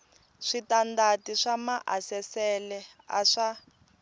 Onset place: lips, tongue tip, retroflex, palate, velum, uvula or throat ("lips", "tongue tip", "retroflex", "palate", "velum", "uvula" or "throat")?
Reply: retroflex